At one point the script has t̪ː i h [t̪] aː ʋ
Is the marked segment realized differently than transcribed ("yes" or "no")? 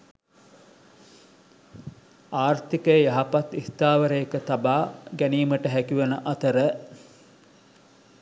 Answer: no